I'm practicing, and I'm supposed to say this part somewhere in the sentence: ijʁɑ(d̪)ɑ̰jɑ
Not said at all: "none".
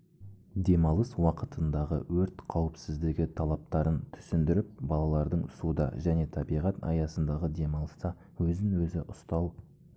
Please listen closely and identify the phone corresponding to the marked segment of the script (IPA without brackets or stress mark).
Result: t̪